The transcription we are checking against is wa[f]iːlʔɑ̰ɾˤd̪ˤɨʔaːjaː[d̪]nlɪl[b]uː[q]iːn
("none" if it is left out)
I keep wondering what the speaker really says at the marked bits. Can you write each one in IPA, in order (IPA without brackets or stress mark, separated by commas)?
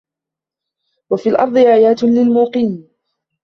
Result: f, t̪, m, q